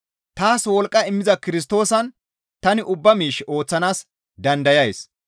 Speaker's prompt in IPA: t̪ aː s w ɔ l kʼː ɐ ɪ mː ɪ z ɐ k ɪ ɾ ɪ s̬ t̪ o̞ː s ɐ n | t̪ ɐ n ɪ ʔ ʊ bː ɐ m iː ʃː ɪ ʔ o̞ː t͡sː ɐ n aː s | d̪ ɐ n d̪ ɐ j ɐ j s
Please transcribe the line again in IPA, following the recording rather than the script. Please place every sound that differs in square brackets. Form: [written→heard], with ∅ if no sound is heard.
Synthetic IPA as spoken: t̪ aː s w ɔ l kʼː ɐ ɪ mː ɪ z ɐ k ɪ ɾ ɪ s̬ t̪ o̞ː s ɐ n | t̪ ɐ n ɪ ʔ ʊ bː ɐ m iː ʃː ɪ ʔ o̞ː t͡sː ɐ n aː s | d̪ ɐ n d̪ ɐ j ɐ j s